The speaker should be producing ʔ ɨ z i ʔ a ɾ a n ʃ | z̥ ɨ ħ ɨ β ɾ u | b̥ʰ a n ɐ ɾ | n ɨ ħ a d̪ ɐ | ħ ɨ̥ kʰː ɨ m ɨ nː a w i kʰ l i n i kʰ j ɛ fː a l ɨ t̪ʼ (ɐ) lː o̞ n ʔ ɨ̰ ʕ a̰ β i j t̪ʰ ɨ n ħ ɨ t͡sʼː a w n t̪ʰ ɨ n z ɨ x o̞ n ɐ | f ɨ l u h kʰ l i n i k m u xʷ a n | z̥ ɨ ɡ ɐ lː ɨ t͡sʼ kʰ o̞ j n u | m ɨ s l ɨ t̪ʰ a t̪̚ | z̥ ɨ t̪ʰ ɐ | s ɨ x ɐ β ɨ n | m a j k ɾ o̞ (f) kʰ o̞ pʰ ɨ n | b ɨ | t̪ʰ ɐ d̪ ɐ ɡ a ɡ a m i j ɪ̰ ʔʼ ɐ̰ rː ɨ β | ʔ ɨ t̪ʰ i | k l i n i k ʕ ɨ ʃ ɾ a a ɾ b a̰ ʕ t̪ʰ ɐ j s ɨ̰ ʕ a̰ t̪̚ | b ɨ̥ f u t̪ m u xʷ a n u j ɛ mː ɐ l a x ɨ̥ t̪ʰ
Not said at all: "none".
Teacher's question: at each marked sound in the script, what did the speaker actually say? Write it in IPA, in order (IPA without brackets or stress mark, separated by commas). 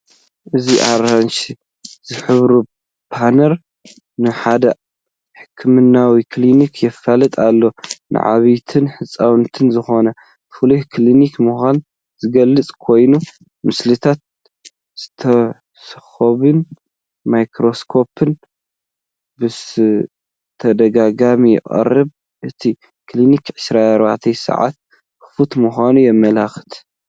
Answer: a, s